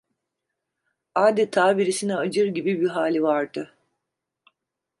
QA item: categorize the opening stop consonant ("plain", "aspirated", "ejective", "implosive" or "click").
plain